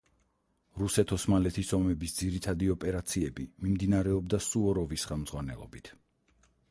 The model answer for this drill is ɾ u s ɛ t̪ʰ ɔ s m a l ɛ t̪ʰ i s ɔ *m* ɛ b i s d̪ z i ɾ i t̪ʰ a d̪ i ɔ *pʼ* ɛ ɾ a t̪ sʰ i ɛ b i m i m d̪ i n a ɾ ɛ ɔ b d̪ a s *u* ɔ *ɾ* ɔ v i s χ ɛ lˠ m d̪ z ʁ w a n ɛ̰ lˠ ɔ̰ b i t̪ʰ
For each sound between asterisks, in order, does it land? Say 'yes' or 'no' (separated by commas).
yes, yes, yes, yes